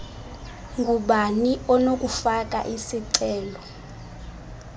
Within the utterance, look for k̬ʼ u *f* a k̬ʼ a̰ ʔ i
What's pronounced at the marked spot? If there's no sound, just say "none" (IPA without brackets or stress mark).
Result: f